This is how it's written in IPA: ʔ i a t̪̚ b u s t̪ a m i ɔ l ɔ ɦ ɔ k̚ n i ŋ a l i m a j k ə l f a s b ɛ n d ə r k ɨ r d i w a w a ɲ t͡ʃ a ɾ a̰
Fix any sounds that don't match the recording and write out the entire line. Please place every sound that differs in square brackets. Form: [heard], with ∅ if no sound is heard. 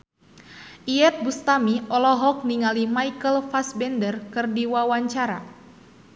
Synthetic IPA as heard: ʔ i [ɛ] t̪̚ b u s t̪ a m i ɔ l ɔ ɦ ɔ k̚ n i ŋ a l i m a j k ə l f a s b ɛ n d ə r k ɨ r d i w a w a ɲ t͡ʃ a ɾ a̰

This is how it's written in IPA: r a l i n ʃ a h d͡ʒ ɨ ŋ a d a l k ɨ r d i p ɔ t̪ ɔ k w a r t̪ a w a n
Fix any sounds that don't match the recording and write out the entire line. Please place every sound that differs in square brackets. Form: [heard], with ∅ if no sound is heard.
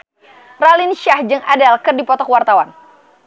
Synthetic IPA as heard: r a l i n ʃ a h d͡ʒ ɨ ŋ a d a l k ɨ r d i p ɔ t̪ ɔ k w a r t̪ a w a n

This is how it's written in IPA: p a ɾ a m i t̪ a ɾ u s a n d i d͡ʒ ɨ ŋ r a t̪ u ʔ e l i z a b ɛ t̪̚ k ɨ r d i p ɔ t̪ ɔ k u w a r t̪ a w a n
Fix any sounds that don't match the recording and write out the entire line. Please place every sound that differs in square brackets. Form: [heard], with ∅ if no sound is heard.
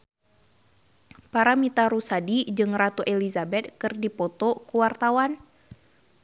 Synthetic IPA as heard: p a ɾ a m i t̪ a ɾ u s a [∅] d i d͡ʒ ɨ ŋ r a t̪ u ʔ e l i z a b ɛ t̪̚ k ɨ r d i p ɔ t̪ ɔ k u w a r t̪ a w a n

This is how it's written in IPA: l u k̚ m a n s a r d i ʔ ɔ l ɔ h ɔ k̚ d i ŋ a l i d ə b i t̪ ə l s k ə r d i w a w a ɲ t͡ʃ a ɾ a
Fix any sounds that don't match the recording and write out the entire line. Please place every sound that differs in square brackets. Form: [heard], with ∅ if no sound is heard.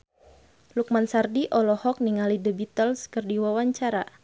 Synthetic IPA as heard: l u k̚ m a n s a r d i ʔ ɔ l ɔ h ɔ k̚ [n] i ŋ a l i d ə b i t̪ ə l s k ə r d i w a w a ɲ t͡ʃ a ɾ a

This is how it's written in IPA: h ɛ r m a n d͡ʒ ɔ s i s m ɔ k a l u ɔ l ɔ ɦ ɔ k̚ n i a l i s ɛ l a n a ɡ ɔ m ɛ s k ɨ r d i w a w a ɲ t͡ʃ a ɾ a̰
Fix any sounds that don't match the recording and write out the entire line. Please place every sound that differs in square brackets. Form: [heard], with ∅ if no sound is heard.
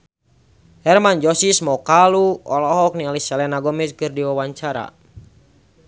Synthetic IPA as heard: h ɛ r m a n d͡ʒ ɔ s i s m ɔ k a l u ɔ l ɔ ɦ ɔ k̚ n i a l i s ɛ l [ɛ] n a ɡ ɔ m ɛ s k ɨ r d i w a w a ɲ t͡ʃ a ɾ a̰

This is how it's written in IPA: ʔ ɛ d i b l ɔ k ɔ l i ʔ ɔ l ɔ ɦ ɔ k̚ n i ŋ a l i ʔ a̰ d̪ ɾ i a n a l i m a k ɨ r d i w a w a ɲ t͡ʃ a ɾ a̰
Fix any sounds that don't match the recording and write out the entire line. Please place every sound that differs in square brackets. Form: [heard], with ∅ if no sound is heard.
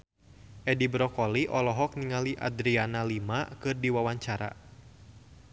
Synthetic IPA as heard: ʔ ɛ d i b [ɾ] ɔ k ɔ l i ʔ ɔ l ɔ ɦ ɔ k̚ n i ŋ a l i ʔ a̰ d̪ ɾ i a n a l i m a k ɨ r d i w a w a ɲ t͡ʃ a ɾ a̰

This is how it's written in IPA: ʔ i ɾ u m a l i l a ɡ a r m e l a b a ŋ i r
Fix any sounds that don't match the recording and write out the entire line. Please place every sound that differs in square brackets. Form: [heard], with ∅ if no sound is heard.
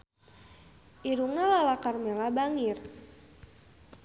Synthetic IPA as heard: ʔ i ɾ u [ŋ] a l [a] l a [k] a r m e l a b a ŋ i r

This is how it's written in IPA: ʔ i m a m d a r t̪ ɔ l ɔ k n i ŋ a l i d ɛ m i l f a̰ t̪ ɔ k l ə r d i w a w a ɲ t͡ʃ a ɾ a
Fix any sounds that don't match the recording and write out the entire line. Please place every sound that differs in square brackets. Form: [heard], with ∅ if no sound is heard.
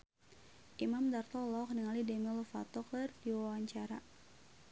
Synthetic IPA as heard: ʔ i m a m d a r t̪ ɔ l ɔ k n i ŋ a l i d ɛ m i l f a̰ t̪ ɔ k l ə r d i w a w a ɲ t͡ʃ a ɾ a

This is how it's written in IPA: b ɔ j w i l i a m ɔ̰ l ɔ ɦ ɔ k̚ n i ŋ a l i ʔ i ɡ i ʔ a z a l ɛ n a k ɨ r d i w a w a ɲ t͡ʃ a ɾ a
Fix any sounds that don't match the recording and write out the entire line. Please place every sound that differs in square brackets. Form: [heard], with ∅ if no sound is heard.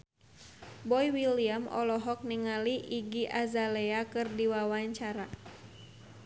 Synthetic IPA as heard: b ɔ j w i l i a m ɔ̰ l ɔ ɦ ɔ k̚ n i ŋ a l i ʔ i ɡ i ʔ a z a l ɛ [∅] a k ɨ r d i w a w a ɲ t͡ʃ a ɾ a

